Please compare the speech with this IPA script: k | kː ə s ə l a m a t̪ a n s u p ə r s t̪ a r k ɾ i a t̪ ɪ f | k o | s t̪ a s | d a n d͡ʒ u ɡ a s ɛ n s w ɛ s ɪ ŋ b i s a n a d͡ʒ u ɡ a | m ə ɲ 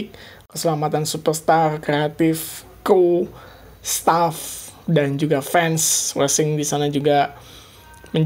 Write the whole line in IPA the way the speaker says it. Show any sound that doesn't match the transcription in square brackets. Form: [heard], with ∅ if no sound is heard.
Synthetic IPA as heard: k | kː ə s ə l a m a t̪ a n s u p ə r s t̪ a r k ɾ [e] a t̪ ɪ f | k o | s t̪ a [f] | d a n d͡ʒ u ɡ a [f] ɛ n s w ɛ s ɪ ŋ [d] i s a n a d͡ʒ u ɡ a | m ə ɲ